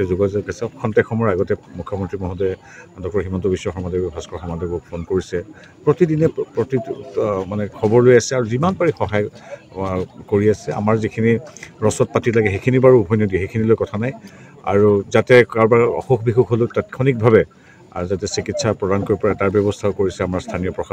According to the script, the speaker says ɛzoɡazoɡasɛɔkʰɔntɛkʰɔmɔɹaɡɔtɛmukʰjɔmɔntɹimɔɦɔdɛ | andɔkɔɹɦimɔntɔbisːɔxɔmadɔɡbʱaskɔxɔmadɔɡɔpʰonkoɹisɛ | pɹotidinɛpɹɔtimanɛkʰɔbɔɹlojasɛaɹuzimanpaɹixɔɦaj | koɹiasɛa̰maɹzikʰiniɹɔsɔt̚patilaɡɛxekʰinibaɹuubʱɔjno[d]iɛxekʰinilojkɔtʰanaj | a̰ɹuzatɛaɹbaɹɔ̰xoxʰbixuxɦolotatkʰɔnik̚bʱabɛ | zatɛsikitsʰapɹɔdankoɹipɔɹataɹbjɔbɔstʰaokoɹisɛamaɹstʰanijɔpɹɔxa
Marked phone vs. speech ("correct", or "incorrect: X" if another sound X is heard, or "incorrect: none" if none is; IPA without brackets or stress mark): correct